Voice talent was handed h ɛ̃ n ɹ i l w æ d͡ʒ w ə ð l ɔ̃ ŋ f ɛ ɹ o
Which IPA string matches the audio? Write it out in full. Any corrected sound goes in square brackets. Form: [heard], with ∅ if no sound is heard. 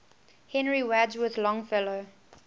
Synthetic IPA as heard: h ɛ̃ n ɹ i [∅] w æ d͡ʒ w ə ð l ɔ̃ ŋ f ɛ [l] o